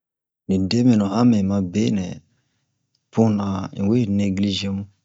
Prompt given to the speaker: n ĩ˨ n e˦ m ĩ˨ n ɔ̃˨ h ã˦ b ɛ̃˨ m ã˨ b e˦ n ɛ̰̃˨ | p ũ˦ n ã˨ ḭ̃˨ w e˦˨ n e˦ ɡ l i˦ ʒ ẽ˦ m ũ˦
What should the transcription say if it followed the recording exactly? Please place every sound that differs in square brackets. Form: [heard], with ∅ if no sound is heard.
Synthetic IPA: n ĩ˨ [d] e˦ m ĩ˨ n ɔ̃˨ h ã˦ [m] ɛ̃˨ m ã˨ b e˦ n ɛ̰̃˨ | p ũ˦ n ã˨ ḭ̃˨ w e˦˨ n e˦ ɡ l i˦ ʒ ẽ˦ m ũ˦